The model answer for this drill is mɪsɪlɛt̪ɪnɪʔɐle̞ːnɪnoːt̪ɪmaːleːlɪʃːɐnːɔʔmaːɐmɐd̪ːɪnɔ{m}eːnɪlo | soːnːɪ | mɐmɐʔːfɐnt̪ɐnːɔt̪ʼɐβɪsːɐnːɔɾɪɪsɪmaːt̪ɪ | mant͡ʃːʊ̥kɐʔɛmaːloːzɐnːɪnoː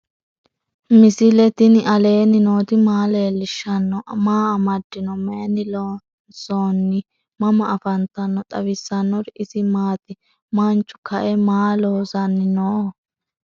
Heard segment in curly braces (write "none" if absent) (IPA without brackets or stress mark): m